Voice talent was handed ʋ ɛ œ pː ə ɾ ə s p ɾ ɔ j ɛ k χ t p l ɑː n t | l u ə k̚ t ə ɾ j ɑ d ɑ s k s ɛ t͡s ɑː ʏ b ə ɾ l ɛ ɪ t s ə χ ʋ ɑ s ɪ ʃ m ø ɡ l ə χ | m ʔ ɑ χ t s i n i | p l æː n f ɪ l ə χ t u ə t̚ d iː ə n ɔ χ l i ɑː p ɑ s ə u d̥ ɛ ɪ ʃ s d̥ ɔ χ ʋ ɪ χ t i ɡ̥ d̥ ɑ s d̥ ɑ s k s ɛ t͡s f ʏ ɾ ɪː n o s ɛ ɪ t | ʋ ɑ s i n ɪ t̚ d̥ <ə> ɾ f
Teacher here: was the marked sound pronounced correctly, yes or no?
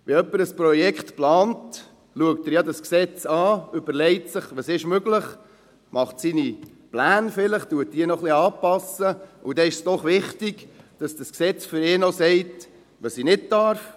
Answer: no